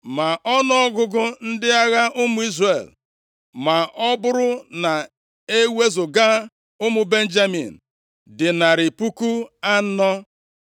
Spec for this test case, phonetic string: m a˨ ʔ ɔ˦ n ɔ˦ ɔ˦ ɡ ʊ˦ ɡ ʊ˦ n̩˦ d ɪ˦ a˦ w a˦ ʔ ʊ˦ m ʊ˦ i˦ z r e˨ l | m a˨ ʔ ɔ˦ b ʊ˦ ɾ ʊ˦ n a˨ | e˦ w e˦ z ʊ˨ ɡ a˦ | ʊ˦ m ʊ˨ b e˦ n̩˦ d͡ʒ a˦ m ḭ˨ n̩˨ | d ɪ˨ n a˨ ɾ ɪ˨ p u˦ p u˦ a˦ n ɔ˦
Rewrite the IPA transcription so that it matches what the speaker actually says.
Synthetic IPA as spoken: m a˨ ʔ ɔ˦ n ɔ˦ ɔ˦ ɡ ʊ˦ ɡ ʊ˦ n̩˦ d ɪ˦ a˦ ɣ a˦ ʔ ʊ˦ m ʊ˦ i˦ z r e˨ l | m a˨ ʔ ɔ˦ b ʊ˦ ɾ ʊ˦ n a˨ | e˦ w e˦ z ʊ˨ ɡ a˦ | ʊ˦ m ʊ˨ b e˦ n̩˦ d͡ʒ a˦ m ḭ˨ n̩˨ | d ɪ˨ n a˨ ɾ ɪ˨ p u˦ k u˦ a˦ n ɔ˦